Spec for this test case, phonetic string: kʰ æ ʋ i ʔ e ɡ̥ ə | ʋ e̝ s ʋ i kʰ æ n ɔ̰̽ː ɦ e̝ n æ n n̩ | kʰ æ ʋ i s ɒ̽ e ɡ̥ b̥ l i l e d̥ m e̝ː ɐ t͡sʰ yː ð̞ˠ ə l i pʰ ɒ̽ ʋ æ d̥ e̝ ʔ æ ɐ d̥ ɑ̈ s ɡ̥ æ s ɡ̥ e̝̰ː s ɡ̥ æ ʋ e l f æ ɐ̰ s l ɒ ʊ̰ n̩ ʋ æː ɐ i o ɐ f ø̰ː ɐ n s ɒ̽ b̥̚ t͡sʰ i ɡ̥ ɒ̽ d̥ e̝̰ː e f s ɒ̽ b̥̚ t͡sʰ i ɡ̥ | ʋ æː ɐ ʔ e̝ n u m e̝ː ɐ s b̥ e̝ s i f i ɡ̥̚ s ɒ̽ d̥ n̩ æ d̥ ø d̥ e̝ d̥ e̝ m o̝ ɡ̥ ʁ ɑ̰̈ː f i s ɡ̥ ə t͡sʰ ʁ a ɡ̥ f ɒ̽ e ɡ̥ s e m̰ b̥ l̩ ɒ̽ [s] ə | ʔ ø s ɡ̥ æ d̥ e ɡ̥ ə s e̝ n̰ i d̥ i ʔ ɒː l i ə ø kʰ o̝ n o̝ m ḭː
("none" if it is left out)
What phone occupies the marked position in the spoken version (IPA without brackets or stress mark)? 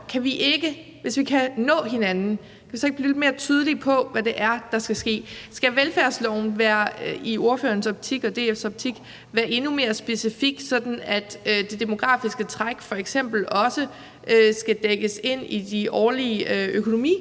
s